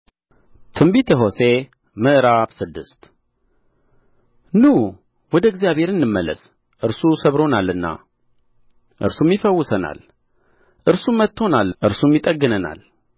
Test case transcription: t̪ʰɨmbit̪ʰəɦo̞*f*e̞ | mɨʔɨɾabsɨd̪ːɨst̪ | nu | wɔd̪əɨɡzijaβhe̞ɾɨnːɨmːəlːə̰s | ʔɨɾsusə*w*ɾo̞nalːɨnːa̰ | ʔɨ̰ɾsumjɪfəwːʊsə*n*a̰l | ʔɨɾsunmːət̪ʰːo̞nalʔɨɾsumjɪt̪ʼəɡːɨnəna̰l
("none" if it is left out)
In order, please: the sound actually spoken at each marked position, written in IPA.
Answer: s, β, n

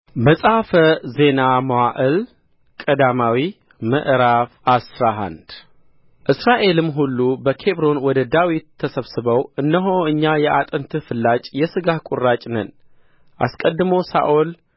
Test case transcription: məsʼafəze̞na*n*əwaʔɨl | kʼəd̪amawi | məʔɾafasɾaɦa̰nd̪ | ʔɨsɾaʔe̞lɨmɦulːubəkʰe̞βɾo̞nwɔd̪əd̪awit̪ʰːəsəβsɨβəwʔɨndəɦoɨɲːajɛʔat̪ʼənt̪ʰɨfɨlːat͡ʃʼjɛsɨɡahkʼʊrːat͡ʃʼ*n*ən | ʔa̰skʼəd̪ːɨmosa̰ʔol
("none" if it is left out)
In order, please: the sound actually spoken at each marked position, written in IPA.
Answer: m, n

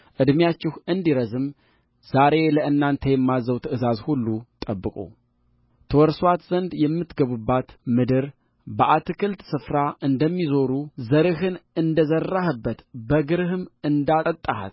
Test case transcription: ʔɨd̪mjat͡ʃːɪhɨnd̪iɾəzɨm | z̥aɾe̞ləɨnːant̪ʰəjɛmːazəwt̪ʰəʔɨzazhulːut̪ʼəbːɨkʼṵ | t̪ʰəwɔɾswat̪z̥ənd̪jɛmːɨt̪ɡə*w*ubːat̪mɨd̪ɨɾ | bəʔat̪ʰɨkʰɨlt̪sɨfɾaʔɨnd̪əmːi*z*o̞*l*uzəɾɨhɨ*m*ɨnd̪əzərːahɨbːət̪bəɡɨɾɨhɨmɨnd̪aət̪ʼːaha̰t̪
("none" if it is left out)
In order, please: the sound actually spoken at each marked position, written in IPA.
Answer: β, z, ɾ, n

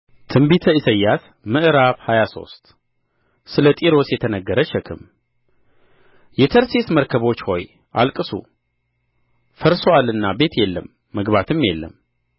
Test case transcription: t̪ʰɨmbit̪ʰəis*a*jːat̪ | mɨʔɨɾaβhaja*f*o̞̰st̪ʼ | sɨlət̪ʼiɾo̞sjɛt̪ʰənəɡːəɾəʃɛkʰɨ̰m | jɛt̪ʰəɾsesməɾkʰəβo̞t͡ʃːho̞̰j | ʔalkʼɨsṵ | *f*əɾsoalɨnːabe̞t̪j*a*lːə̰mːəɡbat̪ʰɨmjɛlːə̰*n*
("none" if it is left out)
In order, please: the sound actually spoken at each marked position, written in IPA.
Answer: ə, s, f, ɛ, m

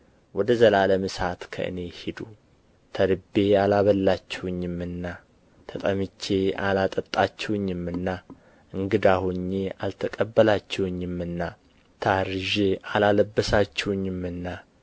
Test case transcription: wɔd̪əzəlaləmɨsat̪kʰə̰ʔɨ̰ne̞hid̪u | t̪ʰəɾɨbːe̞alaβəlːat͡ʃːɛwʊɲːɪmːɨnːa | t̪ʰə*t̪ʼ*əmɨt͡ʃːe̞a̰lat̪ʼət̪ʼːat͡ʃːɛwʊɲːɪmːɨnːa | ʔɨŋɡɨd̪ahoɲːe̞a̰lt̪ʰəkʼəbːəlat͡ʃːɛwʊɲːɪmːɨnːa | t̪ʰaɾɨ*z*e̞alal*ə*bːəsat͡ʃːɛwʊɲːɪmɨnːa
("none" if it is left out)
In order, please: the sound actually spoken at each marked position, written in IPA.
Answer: t̪ʼ, ʒ, ə

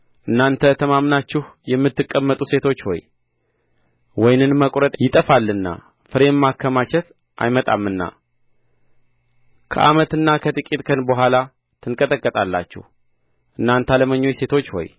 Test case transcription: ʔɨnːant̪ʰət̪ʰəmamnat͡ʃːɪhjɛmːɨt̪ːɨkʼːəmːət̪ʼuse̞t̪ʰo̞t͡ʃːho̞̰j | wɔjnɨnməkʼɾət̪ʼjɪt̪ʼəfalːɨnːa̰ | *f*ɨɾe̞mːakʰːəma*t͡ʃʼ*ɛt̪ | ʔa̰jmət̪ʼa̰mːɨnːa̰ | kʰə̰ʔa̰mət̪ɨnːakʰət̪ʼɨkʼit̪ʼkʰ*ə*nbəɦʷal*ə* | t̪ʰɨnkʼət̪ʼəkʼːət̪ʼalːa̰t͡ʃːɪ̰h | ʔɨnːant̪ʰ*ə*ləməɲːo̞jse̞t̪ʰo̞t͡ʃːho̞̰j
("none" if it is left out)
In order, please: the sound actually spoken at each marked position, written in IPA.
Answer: f, t͡ʃ, ə, a, a

